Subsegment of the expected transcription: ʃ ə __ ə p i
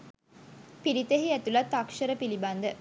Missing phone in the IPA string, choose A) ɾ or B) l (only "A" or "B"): A